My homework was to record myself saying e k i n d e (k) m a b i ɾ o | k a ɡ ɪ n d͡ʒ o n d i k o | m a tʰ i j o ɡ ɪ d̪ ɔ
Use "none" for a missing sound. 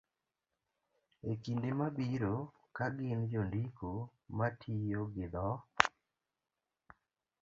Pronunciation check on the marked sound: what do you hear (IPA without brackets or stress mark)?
none